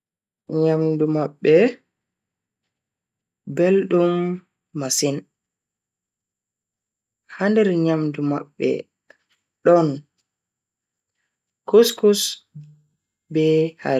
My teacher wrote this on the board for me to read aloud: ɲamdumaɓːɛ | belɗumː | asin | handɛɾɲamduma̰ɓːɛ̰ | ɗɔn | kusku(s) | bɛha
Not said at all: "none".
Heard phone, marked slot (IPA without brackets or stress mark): s